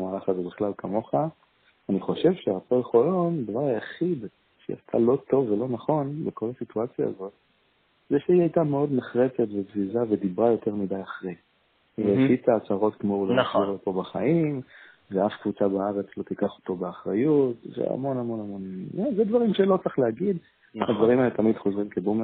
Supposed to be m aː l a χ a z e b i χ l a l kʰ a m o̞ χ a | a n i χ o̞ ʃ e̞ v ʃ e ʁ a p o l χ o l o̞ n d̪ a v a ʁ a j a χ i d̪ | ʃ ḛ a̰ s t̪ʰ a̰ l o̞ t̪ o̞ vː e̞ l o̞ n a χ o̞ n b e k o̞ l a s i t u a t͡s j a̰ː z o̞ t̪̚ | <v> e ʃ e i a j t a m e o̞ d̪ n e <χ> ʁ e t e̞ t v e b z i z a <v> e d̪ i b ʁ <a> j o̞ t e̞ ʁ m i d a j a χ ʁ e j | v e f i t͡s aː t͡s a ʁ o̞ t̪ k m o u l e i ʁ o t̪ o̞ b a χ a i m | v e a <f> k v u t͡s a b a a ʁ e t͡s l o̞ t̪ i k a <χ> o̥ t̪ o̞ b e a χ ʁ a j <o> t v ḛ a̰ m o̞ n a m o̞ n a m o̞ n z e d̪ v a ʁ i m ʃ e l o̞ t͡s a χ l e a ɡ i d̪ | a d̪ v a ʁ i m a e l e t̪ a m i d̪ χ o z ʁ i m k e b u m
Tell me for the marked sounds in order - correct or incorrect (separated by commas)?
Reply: incorrect, correct, correct, correct, correct, correct, incorrect